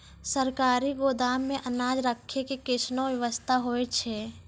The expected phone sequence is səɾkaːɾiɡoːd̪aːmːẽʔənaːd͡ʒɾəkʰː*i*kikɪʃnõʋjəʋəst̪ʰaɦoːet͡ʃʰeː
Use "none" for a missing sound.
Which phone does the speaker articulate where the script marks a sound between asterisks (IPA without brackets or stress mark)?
e